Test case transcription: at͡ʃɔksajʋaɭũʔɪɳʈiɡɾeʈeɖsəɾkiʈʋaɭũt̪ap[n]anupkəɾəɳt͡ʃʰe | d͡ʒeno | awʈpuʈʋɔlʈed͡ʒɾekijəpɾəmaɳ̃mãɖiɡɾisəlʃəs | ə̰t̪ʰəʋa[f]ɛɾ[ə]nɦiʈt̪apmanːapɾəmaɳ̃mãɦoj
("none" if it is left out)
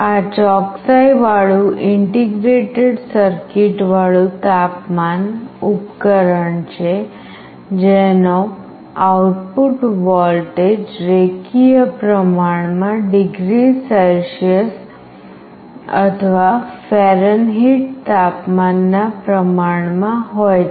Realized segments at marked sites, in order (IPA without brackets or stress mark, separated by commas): m, f, ə